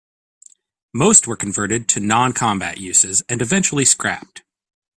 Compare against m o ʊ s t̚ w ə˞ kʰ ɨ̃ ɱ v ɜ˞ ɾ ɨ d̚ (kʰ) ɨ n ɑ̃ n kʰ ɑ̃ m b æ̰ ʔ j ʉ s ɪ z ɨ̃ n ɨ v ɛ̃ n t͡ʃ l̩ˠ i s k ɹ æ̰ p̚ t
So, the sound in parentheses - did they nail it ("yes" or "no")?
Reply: no